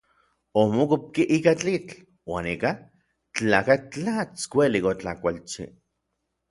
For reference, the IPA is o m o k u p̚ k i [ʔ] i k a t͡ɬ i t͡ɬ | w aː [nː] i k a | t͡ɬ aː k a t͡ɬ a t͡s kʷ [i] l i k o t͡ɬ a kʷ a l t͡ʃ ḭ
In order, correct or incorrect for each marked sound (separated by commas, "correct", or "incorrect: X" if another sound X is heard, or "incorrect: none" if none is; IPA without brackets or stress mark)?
correct, incorrect: n, incorrect: e